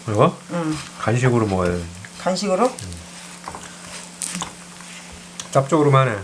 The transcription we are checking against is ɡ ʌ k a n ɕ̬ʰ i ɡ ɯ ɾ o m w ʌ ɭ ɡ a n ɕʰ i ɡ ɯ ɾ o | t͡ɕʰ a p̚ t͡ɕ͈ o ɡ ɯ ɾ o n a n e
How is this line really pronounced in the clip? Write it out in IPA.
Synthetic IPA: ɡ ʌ k a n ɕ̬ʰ i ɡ ɯ ɾ o m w ʌ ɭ k a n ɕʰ i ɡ ɯ ɾ o | t͡ɕ a p̚ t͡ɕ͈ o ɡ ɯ ɾ o m a n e

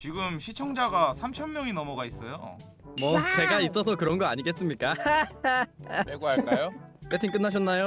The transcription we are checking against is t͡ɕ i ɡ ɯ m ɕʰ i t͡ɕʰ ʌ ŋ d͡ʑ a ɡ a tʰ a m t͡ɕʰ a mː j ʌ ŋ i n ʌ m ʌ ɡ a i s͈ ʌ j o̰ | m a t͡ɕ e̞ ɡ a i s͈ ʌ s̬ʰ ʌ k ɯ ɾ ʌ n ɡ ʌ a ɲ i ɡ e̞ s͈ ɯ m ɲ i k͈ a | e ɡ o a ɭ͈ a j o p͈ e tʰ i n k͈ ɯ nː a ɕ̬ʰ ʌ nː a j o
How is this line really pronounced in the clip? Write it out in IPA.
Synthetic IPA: t͡ɕ i ɡ ɯ m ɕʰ i t͡ɕʰ ʌ ŋ d͡ʑ a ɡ a sʰ a m t͡ɕʰ ʌ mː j ʌ ŋ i n ʌ m ʌ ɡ a i s͈ ʌ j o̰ | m ʌ t͡ɕ e̞ ɡ a i s͈ ʌ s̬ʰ ʌ k ɯ ɾ ʌ n ɡ ʌ a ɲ i ɡ e̞ s͈ ɯ m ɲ i k͈ a | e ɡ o a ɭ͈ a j o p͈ e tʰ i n k͈ ɯ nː a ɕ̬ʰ ʌ nː a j o

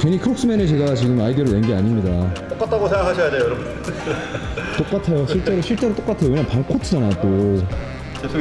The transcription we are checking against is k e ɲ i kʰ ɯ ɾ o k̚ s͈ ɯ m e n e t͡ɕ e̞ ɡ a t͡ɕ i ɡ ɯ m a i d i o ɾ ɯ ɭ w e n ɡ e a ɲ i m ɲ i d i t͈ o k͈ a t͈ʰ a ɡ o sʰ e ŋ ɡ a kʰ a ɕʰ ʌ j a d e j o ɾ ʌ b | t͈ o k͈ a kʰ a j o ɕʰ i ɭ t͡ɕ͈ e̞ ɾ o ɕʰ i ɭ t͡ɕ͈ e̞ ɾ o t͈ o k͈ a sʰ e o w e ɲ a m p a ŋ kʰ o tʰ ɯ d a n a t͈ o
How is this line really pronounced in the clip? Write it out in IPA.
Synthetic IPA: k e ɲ i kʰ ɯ ɾ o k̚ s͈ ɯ m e n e t͡ɕ e̞ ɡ a t͡ɕ i ɡ ɯ m a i d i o ɾ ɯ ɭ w e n ɡ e a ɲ i m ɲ i d a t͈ o k͈ a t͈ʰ a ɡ o sʰ e ŋ ɡ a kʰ a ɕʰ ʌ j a d͡ʑ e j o ɾ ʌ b | t͈ o k͈ a tʰ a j o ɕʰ i ɭ t͡ɕ͈ e̞ ɾ o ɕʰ i ɭ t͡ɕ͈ e̞ ɾ o t͈ o k͈ a tʰ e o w e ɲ a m p a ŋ kʰ o tʰ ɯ d͡ʑ a n a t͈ o

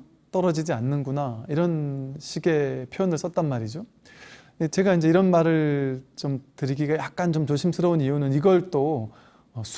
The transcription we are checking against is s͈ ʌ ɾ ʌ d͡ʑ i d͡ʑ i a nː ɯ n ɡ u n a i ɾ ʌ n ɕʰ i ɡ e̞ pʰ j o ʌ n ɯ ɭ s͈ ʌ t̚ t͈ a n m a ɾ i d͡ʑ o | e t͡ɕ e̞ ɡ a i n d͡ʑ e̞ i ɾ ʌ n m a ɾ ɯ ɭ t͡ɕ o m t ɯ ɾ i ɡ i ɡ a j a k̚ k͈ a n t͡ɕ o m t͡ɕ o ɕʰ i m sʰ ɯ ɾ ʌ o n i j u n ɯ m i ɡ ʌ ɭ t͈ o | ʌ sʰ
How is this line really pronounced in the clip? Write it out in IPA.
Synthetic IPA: t͈ ʌ ɾ ʌ d͡ʑ i d͡ʑ i a nː ɯ n ɡ u n a i ɾ ʌ n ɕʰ i ɡ e̞ pʰ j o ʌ n ɯ ɭ s͈ ʌ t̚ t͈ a n m a ɾ i d͡ʑ o | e t͡ɕ e̞ ɡ a i n d͡ʑ e̞ i ɾ ʌ n m a ɾ ɯ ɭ t͡ɕ o m t ɯ ɾ i ɡ i ɡ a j a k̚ k͈ a n t͡ɕ o m t͡ɕ o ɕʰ i m sʰ ɯ ɾ ʌ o n i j u n ɯ n i ɡ ʌ ɭ t͈ o | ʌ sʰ

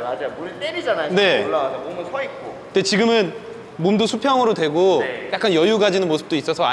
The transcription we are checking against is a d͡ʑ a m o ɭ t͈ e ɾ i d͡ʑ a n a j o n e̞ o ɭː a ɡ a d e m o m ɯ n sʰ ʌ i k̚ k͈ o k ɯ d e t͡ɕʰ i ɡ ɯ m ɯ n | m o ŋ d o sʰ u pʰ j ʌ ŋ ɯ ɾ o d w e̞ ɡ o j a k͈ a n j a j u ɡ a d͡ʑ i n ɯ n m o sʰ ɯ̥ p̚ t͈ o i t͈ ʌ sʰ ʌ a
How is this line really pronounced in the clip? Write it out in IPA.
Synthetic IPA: a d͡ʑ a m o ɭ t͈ e ɾ i d͡ʑ a n a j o n e̞ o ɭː a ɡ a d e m o m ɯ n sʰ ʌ i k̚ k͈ o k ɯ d e t͡ɕ i ɡ ɯ m ɯ n | m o m d o sʰ u pʰ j ʌ ŋ ɯ ɾ o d w e̞ ɡ o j a k͈ a n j ʌ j u ɡ a d͡ʑ i n ɯ n m o sʰ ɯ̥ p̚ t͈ o i s͈ ʌ sʰ ʌ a

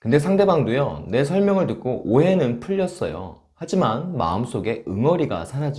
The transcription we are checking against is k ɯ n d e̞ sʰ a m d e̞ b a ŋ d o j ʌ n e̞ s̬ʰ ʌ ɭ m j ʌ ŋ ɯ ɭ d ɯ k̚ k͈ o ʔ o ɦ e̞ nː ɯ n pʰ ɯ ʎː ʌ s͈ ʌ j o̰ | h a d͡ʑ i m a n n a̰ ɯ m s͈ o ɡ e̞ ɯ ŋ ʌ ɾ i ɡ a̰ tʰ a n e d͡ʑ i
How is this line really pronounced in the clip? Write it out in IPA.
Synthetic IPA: k ɯ n d e̞ sʰ a ŋ d e̞ b a ŋ d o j ʌ n e̞ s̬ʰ ʌ ɭ m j ʌ ŋ ɯ ɭ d ɯ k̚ k͈ o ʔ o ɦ e̞ n ɯ n pʰ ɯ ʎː ʌ s͈ ʌ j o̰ | h a d͡ʑ i m a n m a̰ ɯ m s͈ o ɡ e̞ ɯ ŋ ʌ ɾ i ɡ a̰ sʰ a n a d͡ʑ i

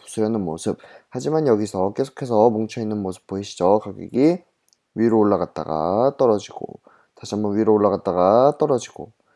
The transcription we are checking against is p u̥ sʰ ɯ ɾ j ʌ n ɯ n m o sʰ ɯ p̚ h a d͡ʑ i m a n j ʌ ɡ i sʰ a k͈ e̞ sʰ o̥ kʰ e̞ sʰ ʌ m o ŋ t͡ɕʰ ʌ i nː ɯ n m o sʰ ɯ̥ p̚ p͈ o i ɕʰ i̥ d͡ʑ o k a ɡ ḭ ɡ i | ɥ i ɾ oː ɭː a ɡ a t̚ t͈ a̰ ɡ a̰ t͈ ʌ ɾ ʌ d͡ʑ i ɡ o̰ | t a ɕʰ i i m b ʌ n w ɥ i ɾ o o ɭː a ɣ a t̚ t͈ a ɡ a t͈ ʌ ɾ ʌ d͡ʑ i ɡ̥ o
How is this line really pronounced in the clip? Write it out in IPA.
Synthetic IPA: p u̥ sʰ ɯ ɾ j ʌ n ɯ n m o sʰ ɯ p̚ h a d͡ʑ i m a n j ʌ ɡ i sʰ ʌ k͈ e̞ sʰ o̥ kʰ e̞ sʰ ʌ m o ŋ t͡ɕʰ ʌ i nː ɯ n m o sʰ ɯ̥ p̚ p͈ o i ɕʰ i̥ d͡ʑ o k a ɡ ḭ ɡ i | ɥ i ɾ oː ɭː a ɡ a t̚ t͈ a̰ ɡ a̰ t͈ ʌ ɾ ʌ d͡ʑ i ɡ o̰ | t a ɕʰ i a m b ʌ n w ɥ i ɾ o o ɭː a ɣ a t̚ t͈ a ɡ a t͈ ʌ ɾ ʌ d͡ʑ i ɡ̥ o

